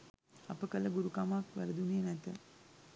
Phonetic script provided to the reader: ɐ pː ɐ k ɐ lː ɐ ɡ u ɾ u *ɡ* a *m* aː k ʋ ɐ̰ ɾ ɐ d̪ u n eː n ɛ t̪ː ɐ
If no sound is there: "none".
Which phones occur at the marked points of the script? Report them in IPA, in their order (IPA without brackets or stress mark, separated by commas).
k, m